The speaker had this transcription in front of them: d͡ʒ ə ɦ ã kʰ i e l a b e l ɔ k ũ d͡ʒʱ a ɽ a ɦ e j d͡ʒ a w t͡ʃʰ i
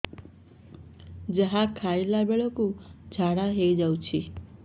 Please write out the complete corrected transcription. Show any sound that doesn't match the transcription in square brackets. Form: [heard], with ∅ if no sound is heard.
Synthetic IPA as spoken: d͡ʒ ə ɦ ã kʰ [a] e l a b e [ɭ] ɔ k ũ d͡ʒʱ a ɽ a ɦ e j d͡ʒ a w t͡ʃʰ i